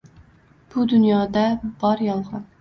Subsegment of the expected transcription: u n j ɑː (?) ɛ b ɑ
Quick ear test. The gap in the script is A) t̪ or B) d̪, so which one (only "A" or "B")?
B